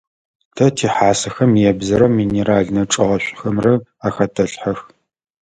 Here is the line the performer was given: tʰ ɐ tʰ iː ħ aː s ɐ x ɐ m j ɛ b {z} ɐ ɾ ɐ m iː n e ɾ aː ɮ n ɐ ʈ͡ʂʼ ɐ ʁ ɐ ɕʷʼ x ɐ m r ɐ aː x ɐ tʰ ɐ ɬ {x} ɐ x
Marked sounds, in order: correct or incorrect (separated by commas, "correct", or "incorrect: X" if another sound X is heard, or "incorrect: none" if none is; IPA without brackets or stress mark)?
correct, incorrect: ħ